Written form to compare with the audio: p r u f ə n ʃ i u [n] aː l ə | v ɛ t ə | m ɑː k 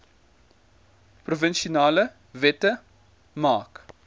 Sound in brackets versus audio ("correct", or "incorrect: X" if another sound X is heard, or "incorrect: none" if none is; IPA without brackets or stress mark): correct